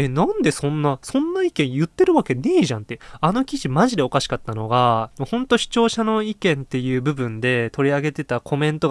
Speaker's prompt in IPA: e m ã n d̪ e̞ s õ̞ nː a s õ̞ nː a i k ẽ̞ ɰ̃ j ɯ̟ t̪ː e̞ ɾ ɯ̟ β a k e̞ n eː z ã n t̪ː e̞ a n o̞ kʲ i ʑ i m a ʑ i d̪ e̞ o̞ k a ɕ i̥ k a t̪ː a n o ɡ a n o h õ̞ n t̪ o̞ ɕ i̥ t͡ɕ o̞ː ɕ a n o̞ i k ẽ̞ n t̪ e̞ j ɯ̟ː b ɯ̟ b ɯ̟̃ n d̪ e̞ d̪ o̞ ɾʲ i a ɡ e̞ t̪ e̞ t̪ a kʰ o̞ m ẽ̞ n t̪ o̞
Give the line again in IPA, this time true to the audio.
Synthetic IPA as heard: e n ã n d̪ e̞ s õ̞ nː a s õ̞ nː a i k ẽ̞ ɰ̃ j ɯ̟ t̪ː e̞ ɾ ɯ̟ β a k e̞ n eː ʑ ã n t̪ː e̞ a n o̞ kʲ i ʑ i m a ʑ i d̪ e̞ o̞ k a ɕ i̥ k a t̪ː a n o ɡ a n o h õ̞ n t̪ o̞ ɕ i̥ t͡ɕ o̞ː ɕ a n o̞ i k ẽ̞ n t̪ e̞ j ɯ̟ː b ɯ̟ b ɯ̟̃ n d̪ e̞ t̪ o̞ ɾʲ i a ɡ e̞ t̪ e̞ t̪ a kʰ o̞ m ẽ̞ n t̪ o̞